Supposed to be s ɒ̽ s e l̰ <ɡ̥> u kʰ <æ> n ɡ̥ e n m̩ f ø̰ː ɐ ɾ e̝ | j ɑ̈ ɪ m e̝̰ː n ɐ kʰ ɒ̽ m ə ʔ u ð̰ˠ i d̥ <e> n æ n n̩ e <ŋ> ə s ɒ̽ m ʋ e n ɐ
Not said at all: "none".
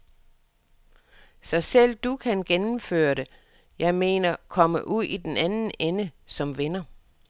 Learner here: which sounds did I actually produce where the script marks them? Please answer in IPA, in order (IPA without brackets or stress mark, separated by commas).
d̥, æ, e, n